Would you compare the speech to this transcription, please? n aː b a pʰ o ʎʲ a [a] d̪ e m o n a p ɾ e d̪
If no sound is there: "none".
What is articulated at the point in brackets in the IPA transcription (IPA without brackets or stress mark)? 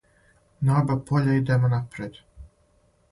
i